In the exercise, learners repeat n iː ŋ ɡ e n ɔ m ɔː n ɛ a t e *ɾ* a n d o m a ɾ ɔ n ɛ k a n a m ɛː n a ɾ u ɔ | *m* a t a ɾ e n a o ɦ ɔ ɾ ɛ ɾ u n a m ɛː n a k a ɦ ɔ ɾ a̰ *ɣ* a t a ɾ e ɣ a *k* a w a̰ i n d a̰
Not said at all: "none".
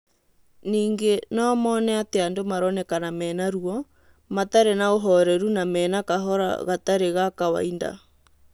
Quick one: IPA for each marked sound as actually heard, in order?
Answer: none, m, ɣ, k

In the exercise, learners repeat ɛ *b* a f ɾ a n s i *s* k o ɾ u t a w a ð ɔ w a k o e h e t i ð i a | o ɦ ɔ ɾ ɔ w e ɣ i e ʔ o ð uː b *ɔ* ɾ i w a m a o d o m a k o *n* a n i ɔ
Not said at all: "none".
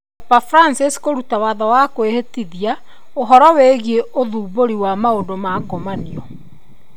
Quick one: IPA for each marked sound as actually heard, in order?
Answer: p, s, o, m

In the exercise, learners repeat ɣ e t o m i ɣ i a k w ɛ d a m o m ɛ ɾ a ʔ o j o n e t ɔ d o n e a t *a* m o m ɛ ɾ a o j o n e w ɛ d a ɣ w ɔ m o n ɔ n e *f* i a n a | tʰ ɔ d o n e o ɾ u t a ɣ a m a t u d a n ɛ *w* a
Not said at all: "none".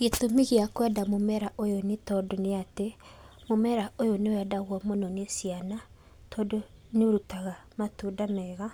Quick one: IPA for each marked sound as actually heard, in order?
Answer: e, s, ɣ

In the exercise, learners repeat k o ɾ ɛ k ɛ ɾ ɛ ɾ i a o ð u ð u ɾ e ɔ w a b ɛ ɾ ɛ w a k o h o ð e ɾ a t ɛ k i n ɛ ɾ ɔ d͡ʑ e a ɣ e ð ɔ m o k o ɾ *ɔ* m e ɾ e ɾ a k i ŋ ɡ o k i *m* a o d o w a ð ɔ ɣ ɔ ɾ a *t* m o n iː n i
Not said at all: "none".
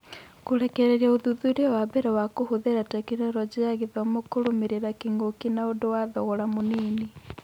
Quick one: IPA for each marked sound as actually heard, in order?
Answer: o, n, none

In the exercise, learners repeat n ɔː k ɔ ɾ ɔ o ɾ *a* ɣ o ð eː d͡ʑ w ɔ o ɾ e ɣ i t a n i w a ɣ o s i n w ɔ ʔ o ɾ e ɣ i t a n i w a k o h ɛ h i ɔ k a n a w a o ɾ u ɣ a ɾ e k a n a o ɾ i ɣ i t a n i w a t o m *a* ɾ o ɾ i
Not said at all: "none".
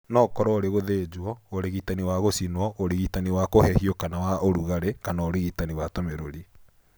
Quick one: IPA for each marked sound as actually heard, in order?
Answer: e, e

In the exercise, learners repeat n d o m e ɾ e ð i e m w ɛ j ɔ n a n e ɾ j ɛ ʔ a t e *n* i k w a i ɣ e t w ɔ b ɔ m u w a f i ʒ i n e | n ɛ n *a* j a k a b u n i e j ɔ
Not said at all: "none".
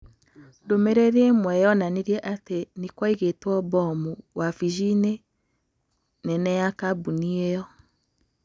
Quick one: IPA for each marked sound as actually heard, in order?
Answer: n, ɛ

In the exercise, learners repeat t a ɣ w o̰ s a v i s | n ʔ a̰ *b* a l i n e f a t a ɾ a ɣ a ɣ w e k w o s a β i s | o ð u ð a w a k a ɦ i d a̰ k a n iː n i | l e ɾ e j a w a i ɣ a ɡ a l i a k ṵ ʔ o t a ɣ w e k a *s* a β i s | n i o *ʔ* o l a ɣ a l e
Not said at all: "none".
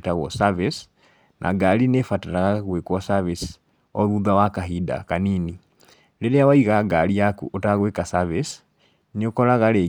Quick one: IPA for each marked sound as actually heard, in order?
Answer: ɡ, s, k

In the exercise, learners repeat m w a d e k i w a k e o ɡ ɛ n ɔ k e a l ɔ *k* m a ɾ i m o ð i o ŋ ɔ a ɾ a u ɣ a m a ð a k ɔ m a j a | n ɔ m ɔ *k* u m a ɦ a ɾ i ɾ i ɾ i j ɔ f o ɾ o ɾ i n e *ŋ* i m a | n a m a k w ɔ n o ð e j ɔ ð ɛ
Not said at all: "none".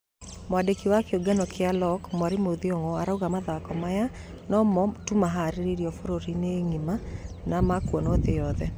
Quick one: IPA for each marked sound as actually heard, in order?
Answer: k, t, ŋ

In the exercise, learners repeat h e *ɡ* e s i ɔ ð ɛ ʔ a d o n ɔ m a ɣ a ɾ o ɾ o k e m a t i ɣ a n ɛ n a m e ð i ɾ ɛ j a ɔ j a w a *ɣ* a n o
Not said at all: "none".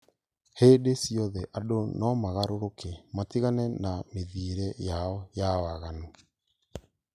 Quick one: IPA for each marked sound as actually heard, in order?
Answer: d, ɣ

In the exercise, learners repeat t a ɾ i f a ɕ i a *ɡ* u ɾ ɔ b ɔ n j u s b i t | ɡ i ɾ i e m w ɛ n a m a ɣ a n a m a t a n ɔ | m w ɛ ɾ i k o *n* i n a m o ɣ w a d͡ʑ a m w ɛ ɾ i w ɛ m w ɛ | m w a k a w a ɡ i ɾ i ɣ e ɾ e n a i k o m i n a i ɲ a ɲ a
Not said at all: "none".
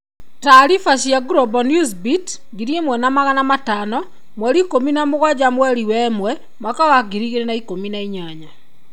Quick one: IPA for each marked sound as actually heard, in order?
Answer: ɡ, m

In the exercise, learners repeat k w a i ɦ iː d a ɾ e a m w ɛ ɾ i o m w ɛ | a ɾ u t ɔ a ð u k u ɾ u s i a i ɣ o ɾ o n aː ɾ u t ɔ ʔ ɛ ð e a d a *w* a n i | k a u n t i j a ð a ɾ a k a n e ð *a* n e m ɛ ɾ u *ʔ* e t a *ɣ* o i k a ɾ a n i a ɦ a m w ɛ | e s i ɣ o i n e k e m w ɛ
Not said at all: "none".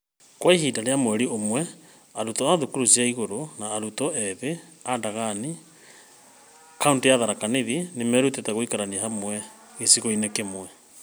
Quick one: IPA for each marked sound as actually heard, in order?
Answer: ɣ, i, t, ɣ

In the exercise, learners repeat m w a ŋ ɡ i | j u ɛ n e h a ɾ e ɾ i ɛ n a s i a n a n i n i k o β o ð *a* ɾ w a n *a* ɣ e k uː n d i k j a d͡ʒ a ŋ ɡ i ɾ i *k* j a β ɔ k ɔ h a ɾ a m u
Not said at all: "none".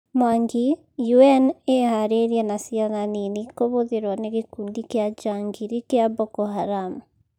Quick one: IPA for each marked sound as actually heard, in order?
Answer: e, e, k

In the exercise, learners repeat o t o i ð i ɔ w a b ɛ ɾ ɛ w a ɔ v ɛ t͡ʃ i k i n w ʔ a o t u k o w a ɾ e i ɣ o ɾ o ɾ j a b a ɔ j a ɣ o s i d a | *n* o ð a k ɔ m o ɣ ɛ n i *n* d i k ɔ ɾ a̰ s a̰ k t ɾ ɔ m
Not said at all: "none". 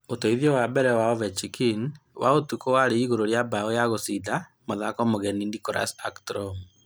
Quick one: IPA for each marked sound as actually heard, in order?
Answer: m, n

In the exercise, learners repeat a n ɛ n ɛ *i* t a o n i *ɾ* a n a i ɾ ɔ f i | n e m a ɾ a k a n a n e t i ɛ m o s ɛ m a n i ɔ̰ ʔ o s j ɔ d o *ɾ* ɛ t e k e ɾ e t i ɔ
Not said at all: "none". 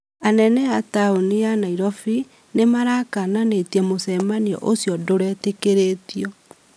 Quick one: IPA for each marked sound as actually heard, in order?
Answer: a, none, ɾ

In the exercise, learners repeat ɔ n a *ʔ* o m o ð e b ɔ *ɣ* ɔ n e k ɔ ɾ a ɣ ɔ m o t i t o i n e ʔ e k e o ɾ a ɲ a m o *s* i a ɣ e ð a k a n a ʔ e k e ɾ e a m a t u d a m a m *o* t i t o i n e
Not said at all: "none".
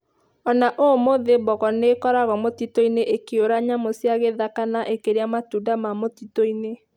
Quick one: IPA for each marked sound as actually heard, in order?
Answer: ʔ, ɣ, s, o

